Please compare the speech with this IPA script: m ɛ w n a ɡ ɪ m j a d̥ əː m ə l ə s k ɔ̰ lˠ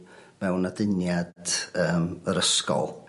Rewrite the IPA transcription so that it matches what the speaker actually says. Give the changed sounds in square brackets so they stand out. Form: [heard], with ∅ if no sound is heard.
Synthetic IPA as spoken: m ɛ w n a [d] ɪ [n] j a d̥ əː m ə [ɾ] ə s k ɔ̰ lˠ